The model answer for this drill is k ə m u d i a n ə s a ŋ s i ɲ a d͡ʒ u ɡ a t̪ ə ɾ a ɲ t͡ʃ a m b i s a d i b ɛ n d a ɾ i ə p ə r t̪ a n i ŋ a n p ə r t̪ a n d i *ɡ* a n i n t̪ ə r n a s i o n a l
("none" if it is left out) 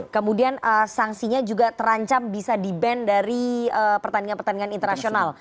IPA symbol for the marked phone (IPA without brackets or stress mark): ŋ